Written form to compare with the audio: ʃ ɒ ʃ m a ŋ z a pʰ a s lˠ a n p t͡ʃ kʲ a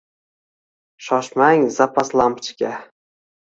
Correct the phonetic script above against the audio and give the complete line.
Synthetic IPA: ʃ ɒ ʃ m a ŋ z a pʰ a s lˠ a m p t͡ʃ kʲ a